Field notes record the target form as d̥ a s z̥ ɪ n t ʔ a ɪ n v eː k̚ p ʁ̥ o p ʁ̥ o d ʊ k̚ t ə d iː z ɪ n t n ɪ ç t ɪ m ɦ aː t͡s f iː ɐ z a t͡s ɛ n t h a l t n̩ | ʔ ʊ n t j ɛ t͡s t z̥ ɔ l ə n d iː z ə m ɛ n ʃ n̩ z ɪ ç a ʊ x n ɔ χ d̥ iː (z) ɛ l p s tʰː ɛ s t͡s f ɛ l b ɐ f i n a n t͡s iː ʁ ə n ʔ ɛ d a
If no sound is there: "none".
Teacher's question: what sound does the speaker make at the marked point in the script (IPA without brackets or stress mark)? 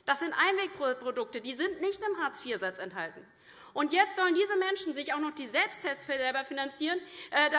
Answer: z